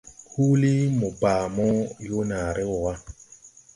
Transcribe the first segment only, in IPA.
h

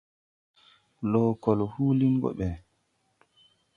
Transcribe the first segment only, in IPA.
l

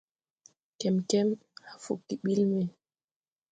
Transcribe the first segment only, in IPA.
k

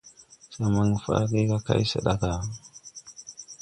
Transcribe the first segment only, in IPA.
s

